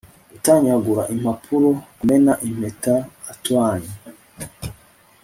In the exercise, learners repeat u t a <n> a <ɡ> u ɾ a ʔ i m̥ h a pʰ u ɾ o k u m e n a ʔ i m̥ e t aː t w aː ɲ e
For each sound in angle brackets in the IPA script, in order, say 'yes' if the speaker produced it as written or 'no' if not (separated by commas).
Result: no, yes